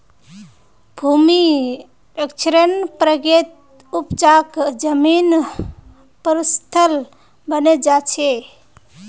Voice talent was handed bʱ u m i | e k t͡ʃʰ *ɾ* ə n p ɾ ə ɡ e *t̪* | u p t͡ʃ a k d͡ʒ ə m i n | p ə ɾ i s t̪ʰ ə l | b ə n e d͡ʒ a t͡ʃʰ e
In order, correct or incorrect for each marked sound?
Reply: correct, correct

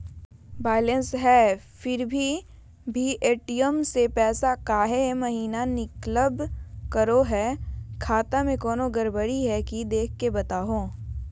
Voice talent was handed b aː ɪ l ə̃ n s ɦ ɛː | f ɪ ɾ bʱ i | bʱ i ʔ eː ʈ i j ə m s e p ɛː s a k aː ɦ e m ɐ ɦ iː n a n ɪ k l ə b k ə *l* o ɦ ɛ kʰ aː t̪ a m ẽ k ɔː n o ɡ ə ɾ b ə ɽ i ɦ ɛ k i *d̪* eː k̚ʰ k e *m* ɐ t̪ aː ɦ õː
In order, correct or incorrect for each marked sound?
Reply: incorrect, correct, incorrect

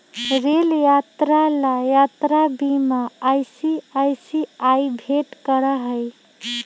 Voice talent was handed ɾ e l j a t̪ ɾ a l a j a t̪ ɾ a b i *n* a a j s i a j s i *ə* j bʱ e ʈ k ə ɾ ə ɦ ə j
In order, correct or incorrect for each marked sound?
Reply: incorrect, incorrect

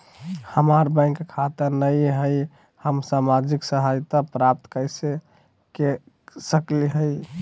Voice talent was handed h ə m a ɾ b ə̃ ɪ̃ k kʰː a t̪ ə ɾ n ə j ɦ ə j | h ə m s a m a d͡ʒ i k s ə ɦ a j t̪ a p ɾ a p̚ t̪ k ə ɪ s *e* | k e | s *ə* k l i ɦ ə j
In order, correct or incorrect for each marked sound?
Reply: correct, correct

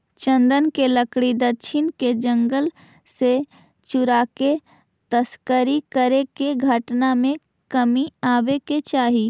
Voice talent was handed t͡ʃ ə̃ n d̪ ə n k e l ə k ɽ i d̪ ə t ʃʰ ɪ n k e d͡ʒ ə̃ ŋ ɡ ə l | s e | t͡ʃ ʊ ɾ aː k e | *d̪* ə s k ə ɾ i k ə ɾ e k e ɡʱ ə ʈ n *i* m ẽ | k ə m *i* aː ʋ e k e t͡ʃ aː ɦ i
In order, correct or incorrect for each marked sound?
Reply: incorrect, incorrect, correct

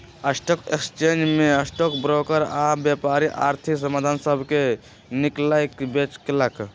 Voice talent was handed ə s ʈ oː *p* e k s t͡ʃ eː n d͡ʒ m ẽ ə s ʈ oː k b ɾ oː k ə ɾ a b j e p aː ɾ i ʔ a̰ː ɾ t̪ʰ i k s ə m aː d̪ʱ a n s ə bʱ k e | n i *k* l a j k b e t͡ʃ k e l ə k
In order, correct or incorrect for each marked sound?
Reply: incorrect, correct

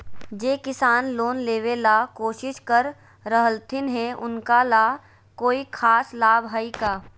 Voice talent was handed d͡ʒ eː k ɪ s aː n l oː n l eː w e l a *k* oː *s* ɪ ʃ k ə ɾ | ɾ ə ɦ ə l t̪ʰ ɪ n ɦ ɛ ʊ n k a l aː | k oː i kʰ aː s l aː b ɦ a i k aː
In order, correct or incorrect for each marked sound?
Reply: correct, incorrect

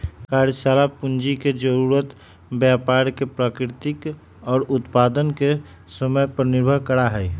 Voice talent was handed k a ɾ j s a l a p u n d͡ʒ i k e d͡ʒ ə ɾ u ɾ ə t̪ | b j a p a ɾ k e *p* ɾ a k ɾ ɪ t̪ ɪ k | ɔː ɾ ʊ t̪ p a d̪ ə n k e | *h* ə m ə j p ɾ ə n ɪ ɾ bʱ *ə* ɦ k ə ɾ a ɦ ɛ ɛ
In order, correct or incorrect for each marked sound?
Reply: correct, incorrect, correct

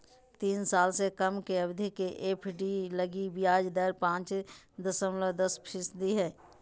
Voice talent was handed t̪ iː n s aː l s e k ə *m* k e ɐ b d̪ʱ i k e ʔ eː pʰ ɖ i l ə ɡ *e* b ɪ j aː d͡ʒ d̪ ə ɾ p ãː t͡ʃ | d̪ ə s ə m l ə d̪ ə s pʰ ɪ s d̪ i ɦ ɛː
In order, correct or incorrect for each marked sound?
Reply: correct, incorrect

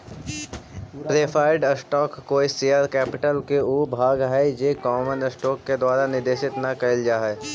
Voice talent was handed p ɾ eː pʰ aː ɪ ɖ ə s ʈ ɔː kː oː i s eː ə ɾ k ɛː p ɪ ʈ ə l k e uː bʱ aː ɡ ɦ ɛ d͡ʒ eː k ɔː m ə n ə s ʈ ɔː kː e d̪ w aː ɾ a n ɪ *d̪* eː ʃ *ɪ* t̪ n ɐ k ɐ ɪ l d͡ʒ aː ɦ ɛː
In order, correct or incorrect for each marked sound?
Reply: correct, correct

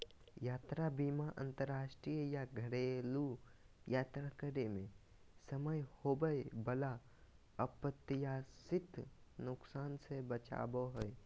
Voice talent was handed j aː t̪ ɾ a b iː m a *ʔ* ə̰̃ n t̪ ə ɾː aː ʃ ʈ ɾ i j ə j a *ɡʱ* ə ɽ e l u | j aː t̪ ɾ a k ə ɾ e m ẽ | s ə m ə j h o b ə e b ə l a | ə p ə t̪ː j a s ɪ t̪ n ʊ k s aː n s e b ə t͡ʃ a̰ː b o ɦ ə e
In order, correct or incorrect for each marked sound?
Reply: correct, correct

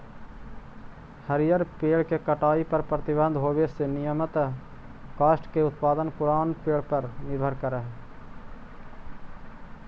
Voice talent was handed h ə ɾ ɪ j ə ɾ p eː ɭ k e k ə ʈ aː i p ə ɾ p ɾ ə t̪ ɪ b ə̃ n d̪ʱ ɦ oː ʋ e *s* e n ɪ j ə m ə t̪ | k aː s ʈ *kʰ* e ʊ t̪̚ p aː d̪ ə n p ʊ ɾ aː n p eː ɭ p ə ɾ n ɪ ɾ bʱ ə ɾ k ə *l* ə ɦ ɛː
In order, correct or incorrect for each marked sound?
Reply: correct, incorrect, incorrect

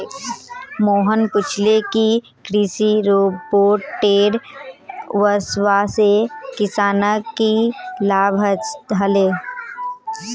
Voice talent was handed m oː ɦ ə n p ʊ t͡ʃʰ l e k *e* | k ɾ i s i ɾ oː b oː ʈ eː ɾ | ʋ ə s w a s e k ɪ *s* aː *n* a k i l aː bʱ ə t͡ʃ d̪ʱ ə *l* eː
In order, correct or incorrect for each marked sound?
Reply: incorrect, correct, correct, correct

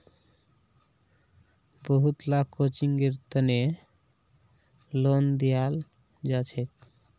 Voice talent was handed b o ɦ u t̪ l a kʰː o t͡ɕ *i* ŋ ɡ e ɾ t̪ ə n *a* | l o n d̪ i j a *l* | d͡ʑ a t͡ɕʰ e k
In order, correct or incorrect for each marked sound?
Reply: correct, incorrect, correct

